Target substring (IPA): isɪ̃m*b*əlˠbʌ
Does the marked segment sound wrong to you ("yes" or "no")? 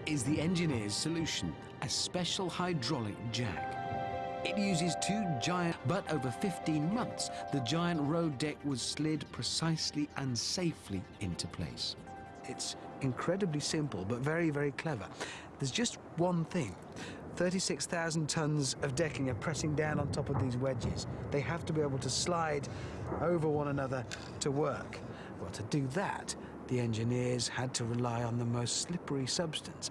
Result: yes